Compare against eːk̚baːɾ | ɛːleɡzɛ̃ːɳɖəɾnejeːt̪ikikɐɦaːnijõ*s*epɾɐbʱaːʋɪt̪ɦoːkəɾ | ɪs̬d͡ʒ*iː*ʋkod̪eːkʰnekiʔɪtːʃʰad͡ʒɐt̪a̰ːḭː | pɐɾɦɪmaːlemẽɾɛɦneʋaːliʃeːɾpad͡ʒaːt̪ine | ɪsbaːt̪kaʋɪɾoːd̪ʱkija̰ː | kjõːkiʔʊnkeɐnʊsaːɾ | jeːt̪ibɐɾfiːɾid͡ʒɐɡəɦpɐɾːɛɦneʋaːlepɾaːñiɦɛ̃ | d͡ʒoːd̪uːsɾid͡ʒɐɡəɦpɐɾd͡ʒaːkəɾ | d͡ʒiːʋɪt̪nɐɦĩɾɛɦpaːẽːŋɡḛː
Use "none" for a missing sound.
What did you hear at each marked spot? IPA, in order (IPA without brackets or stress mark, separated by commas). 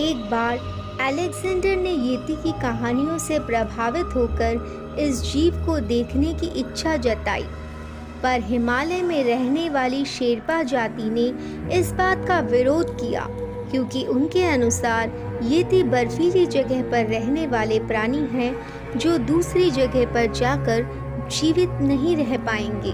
s, iː